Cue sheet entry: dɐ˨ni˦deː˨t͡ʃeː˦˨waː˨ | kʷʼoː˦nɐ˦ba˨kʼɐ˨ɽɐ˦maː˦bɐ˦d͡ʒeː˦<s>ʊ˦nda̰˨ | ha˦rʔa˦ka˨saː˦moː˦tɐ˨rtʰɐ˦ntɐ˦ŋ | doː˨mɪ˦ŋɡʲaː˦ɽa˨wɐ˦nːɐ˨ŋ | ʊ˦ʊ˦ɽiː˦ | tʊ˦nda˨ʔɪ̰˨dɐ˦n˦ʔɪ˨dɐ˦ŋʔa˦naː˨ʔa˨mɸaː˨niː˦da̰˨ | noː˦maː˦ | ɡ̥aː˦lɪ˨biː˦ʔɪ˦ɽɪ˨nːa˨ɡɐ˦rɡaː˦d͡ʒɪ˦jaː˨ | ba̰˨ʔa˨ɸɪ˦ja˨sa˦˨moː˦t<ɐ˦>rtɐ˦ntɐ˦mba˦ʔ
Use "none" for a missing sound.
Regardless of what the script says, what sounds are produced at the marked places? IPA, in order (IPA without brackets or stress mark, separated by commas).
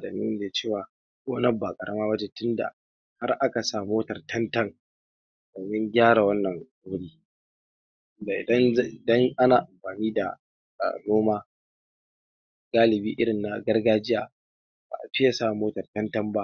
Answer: t, ɐ˨